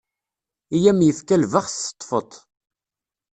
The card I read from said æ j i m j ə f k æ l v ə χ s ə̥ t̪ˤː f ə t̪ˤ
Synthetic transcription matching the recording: i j æ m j ə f k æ l v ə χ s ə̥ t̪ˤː f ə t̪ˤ